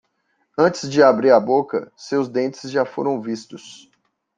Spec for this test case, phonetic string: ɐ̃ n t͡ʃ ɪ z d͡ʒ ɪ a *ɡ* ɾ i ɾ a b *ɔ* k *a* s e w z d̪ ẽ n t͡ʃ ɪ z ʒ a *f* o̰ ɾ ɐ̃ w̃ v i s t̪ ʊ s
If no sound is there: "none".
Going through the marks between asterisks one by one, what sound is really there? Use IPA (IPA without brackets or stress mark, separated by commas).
b, o, ɐ, f